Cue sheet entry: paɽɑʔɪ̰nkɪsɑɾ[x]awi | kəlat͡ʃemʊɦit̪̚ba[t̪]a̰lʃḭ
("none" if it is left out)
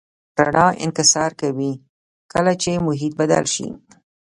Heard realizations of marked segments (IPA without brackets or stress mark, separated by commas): k, d̪